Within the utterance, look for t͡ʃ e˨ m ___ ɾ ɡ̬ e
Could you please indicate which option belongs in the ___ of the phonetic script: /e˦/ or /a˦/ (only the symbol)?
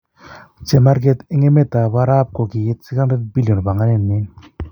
a˦